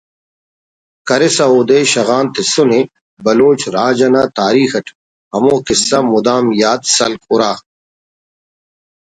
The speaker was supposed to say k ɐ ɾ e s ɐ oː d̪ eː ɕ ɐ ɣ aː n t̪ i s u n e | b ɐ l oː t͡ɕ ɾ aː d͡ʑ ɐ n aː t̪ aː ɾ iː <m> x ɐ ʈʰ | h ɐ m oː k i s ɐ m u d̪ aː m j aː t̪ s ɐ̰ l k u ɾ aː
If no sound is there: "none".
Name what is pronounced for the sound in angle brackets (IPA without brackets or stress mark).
none